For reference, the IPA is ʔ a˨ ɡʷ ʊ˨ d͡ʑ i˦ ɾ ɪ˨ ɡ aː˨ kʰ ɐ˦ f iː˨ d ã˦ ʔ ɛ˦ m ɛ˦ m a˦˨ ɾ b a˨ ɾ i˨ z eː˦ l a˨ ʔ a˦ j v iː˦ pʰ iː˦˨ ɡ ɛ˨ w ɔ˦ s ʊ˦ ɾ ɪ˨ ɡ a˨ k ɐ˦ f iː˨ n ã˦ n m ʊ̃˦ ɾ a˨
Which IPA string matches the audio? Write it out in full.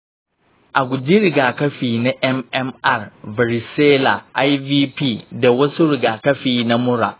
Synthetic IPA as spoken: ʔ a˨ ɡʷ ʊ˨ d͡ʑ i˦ ɾ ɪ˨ ɡ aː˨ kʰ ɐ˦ f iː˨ n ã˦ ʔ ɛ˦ m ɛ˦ m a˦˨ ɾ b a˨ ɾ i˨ s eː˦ l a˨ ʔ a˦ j v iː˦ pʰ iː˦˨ d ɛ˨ w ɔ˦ s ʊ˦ ɾ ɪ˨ ɡ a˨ k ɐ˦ f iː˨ n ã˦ m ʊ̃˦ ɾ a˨

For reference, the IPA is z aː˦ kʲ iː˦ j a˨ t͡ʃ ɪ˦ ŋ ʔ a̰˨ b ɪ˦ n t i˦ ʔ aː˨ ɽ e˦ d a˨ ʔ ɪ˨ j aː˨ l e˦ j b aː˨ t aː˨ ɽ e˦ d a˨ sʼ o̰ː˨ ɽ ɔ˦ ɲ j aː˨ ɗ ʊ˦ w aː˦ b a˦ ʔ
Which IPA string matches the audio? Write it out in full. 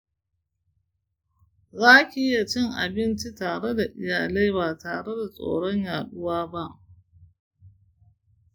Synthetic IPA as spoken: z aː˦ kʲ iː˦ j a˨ t͡ʃ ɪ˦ ŋ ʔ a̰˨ b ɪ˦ n t͡ʃ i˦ t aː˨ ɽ e˦ d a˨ ʔ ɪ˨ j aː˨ l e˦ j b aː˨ t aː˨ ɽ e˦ d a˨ sʼ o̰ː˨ ɽ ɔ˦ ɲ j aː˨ ɗ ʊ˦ w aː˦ b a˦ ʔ

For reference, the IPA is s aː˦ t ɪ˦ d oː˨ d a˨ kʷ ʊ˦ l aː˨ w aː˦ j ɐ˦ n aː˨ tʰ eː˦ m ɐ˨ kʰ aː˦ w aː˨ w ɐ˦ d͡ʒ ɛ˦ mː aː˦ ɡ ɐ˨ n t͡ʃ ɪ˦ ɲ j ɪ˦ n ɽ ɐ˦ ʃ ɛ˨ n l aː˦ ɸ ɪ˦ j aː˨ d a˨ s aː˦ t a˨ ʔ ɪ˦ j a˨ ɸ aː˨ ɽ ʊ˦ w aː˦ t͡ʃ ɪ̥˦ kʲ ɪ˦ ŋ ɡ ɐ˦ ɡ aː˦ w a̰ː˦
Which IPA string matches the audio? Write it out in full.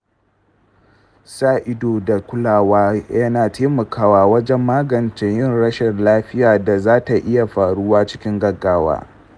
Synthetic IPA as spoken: s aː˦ ʔ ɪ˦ d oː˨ d a˨ kʷ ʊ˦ l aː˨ w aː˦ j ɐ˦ n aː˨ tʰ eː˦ m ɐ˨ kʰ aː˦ w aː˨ w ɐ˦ d͡ʒ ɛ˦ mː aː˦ ɡ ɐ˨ n t͡ʃ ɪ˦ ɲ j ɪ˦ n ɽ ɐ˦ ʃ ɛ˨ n l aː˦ ɸ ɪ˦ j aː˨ d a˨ z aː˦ t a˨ ʔ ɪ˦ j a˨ ɸ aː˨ ɽ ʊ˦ w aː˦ t͡ʃ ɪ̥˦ kʲ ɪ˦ ŋ ɡ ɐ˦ ɡ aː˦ w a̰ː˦

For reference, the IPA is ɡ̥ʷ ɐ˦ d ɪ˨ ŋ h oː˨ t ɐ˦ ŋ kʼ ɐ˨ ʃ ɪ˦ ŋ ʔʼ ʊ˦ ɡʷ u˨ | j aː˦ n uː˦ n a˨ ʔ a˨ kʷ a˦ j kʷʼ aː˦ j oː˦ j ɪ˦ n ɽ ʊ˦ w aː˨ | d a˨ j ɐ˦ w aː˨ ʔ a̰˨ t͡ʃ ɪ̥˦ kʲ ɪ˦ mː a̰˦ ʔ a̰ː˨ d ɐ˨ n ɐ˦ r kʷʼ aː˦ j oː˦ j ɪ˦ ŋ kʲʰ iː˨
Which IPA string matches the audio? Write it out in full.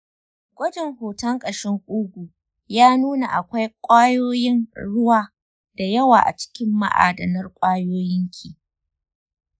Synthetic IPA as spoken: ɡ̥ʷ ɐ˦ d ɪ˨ ŋ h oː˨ t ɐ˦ ŋ kʼ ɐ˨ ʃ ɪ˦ ŋ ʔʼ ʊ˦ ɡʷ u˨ | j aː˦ n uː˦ n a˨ ʔ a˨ kʷ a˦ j kʷʼ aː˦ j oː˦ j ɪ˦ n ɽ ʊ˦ w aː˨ | d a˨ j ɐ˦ w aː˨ ʔ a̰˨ t͡ʃ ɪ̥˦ kʲ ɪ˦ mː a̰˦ ʔ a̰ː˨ d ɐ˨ n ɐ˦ r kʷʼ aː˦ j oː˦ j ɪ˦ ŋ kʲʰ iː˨

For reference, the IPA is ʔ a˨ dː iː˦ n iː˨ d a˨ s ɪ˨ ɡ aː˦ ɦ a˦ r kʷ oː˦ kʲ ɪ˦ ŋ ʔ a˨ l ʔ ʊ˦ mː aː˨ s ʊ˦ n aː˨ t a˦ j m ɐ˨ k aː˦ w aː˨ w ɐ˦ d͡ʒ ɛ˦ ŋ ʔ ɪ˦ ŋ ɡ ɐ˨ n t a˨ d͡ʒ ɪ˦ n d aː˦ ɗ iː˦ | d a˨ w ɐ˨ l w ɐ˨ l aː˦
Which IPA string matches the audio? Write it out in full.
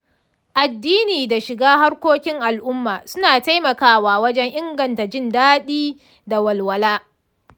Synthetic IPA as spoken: ʔ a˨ dː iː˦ n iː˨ d a˨ ʃ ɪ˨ ɡ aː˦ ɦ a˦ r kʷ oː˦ kʲ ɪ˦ ŋ ʔ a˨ l ʔ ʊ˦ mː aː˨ s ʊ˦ n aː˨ t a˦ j m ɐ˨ k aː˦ w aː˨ w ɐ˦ d͡ʒ ɛ˦ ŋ ʔ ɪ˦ ŋ ɡ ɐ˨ n t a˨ d͡ʒ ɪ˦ n d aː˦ ɗ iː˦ | d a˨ w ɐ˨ l w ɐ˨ l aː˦

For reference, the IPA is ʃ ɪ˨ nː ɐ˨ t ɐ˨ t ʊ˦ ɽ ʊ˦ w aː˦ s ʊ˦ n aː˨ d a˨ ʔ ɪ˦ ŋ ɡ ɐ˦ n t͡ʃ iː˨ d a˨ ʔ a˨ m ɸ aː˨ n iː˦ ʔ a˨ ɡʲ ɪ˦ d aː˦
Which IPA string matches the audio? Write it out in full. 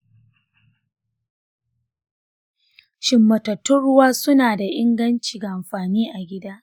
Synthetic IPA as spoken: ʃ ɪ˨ mː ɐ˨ t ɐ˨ t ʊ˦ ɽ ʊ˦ w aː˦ s ʊ˦ n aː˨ d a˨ ʔ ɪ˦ ŋ ɡ ɐ˦ n t͡ʃ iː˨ ɡ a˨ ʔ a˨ m ɸ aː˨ n iː˦ ʔ a˨ ɡʲ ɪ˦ d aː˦

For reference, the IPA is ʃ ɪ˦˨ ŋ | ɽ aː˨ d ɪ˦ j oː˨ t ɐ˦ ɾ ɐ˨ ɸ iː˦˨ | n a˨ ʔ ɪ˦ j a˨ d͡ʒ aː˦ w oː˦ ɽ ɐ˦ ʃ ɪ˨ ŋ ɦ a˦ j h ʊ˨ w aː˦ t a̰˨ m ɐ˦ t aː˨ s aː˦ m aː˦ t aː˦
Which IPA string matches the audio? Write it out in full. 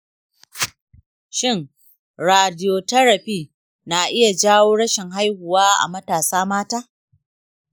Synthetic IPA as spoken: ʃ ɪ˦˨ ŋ | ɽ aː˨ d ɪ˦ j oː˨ t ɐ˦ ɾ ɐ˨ ɸ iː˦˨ | n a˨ ʔ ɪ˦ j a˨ d͡ʒ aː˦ w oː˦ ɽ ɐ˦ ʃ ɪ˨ ŋ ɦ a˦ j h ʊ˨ w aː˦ ʔ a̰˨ m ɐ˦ t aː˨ s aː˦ m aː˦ t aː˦

